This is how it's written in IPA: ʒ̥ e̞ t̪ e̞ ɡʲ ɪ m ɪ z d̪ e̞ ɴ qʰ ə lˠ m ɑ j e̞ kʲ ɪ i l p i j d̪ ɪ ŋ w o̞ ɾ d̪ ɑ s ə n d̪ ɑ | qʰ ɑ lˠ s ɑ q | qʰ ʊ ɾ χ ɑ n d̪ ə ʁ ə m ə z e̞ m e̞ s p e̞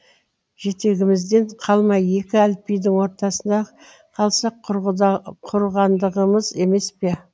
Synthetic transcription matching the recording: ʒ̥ e̞ t̪ e̞ ɡʲ ɪ m ɪ z d̪ e̞ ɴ qʰ ɑ lˠ m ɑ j e̞ kʲ ɪ æ l p i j d̪ ɪ ŋ w o̞ ɾ t̪ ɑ s ə n d̪ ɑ | qʰ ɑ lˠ s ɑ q | qʰ ʊ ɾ ʁ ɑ n d̪ ə ʁ ə m ə z e̞ m e̞ s p e̞